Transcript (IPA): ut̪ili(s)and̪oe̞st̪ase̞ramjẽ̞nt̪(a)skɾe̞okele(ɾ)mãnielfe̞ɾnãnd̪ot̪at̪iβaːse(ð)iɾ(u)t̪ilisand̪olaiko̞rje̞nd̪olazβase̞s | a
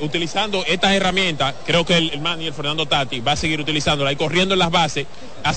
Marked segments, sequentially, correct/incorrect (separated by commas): correct, correct, incorrect, incorrect, correct